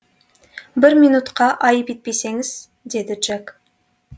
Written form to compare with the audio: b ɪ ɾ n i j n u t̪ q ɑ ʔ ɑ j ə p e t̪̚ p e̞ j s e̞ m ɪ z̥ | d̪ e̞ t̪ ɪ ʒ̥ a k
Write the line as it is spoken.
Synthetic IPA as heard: b ɪ ɾ m i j n u t̪ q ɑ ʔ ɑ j ə p e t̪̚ p e̞ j s e̞ ŋ ɪ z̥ | d̪ e̞ d̪ ɪ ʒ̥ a k